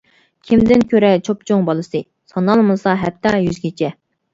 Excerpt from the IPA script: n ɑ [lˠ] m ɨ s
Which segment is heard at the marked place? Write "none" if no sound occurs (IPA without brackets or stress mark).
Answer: lˠ